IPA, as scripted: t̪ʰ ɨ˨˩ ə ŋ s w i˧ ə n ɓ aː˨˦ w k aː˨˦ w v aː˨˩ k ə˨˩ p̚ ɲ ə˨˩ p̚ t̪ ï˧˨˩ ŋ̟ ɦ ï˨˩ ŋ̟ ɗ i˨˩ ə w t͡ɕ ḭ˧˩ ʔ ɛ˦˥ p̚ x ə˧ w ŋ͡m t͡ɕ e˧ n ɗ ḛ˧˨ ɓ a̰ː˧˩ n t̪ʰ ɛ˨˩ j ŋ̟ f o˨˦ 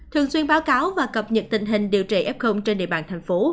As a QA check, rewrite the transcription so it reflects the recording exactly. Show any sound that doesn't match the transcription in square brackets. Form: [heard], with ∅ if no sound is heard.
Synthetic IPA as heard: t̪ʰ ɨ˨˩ ə ŋ s w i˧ ə n ɓ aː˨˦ w k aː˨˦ w v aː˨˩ k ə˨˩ p̚ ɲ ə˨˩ [t̚] t̪ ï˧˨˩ ŋ̟ ɦ ï˨˩ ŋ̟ ɗ i˨˩ ə w t͡ɕ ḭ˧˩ ʔ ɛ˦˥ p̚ x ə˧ w ŋ͡m t͡ɕ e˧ n ɗ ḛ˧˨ ɓ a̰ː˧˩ n t̪ʰ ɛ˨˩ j ŋ̟ f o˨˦